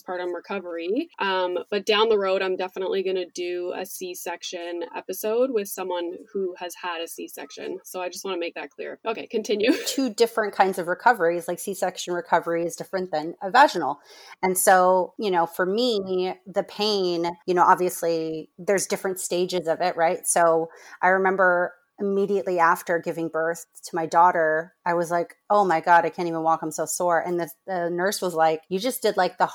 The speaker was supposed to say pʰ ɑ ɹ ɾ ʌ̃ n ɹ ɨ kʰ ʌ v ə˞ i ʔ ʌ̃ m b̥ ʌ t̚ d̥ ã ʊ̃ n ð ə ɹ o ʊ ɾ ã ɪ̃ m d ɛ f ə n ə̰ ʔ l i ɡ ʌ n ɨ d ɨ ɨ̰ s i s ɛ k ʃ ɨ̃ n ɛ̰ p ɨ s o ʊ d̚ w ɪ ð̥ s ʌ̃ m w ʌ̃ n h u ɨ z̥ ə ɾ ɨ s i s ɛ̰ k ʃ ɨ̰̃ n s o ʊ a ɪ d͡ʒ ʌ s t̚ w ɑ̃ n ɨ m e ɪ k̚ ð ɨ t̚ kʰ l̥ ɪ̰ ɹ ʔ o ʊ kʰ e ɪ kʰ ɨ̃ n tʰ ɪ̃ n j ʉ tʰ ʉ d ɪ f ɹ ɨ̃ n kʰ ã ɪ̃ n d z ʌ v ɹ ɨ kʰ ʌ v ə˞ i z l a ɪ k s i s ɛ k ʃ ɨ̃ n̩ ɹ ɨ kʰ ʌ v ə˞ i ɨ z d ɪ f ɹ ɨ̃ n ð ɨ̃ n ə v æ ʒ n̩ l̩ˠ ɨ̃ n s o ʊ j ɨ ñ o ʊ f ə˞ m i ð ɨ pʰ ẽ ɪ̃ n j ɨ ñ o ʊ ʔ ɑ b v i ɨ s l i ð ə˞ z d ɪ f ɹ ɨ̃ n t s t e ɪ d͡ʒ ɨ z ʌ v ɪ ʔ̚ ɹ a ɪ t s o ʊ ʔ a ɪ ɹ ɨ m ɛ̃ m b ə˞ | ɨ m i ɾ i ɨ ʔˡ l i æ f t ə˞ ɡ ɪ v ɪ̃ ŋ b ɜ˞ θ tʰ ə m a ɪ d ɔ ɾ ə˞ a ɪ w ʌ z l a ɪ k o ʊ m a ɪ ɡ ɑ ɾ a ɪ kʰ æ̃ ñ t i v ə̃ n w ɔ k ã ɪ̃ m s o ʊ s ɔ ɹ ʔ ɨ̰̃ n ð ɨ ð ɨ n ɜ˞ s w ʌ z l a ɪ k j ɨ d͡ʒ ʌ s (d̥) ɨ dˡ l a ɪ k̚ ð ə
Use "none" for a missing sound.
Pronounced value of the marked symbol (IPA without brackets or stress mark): d̥